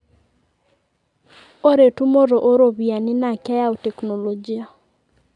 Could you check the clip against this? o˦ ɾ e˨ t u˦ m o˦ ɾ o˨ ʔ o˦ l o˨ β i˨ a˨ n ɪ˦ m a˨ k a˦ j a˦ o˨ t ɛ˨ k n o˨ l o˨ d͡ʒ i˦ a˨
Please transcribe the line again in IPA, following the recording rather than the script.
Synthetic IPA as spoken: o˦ ɾ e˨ t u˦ m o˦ ɾ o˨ ʔ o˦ ɾ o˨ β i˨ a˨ n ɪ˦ n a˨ k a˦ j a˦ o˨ t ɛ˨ k n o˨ l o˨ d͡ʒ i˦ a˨